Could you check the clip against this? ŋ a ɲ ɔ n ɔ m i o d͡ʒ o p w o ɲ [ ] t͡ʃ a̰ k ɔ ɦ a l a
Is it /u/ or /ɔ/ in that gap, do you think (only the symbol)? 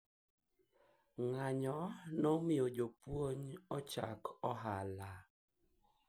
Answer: ɔ